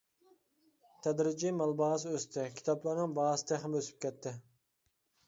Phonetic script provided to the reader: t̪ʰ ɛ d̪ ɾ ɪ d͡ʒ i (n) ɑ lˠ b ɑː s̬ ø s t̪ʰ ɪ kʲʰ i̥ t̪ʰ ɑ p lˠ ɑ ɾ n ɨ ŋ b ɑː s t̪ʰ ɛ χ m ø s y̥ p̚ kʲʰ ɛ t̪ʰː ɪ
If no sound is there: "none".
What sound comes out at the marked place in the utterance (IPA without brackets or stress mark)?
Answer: m